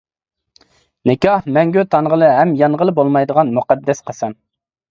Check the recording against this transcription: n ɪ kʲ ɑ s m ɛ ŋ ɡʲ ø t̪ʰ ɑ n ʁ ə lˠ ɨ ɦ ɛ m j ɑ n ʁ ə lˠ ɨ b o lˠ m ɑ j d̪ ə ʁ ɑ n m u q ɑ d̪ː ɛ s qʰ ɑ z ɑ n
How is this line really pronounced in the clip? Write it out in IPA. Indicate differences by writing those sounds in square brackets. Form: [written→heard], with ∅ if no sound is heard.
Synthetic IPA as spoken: n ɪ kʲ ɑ [s→h] m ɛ ŋ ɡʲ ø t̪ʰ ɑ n ʁ ə lˠ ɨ ɦ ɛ m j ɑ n ʁ ə lˠ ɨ b o lˠ m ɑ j d̪ ə ʁ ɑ n m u q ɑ d̪ː ɛ s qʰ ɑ [z→s] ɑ n